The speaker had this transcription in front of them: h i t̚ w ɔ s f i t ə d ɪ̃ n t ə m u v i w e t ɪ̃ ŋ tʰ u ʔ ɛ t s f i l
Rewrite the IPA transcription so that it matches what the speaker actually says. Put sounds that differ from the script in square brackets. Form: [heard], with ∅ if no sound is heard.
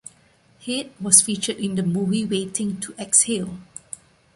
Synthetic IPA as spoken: h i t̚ w ɔ s f i [t͡ʃ] ə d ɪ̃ n [d] ə m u v i w e t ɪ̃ ŋ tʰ u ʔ ɛ [k] s [h] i l